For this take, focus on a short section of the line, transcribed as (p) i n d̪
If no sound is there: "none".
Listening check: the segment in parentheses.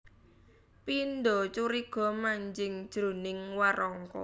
p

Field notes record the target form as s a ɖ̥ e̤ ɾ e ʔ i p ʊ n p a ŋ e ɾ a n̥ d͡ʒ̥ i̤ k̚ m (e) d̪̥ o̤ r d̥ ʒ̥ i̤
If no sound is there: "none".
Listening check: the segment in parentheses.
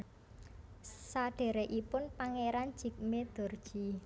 e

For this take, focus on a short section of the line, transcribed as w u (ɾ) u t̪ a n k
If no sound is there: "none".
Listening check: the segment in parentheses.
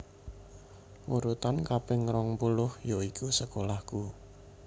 ɾ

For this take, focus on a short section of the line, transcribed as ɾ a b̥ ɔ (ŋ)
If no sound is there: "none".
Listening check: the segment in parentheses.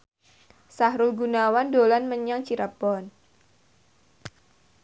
n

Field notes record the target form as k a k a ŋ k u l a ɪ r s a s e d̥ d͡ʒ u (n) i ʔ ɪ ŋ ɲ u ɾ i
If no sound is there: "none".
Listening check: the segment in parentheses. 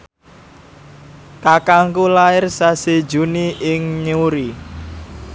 n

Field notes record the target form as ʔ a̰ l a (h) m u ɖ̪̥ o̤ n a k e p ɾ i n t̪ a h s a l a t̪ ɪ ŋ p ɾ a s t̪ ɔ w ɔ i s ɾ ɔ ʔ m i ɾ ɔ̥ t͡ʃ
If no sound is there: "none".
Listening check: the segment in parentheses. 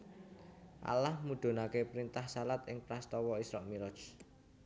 h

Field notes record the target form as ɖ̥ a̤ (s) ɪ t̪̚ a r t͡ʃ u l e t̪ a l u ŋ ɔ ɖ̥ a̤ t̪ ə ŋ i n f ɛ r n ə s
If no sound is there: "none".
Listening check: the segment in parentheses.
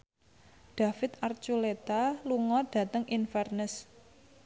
f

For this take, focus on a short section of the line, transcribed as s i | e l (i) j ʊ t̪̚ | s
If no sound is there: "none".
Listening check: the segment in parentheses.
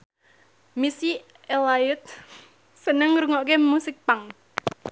a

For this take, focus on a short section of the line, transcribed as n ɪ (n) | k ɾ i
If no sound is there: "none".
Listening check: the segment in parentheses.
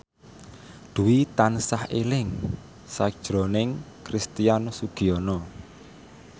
ŋ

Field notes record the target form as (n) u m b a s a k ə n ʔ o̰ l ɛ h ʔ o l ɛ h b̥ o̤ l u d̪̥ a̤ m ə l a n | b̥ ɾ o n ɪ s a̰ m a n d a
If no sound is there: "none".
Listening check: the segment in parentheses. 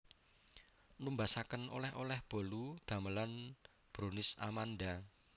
n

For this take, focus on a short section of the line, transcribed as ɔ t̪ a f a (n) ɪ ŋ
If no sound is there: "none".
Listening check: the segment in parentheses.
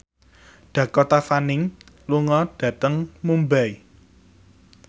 n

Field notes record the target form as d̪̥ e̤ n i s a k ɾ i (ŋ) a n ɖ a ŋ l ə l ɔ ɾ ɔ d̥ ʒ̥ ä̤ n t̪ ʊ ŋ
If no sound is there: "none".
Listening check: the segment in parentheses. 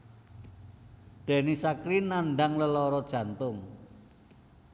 n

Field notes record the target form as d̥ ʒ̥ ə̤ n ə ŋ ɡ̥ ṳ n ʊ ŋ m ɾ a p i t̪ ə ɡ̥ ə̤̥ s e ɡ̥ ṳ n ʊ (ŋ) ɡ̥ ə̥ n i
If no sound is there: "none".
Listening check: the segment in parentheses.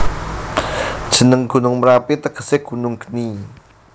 ŋ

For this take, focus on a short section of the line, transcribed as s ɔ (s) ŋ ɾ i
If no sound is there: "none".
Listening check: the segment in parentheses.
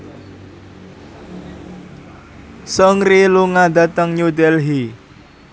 none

